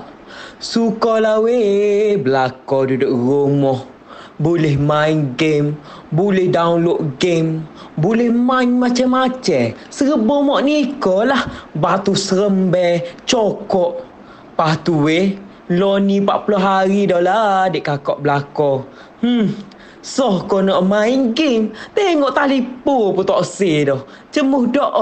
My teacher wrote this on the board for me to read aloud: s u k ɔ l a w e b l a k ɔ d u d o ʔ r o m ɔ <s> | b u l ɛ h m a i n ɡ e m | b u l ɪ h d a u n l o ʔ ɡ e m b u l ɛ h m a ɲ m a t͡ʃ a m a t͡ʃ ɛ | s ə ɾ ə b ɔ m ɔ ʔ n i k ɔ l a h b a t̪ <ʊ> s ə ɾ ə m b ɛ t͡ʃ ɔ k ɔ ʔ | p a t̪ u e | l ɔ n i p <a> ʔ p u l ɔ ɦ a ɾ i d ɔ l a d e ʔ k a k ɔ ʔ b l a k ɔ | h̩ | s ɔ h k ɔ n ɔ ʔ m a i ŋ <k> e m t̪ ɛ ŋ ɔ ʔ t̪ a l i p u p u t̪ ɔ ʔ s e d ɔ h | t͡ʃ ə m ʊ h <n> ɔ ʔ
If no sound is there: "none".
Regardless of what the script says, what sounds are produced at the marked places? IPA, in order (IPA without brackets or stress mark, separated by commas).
h, u, a, ɡ, d